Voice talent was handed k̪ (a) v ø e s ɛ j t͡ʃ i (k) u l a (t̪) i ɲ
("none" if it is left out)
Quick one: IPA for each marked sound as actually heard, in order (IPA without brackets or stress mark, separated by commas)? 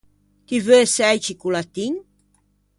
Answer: i, k, t̪